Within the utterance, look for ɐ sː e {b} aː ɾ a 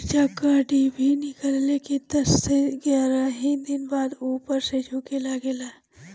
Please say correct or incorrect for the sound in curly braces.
incorrect